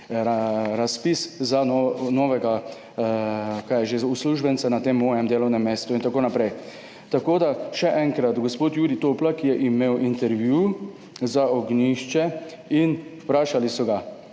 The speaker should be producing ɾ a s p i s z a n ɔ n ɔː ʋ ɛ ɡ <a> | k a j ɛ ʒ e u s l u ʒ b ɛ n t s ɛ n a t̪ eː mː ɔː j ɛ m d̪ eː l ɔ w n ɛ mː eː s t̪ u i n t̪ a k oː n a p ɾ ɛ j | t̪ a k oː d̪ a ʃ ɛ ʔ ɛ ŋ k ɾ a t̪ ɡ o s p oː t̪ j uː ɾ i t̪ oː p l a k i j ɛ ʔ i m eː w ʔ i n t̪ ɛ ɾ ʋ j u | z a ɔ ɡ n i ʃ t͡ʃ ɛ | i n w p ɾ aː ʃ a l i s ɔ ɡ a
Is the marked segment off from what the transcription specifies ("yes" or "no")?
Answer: no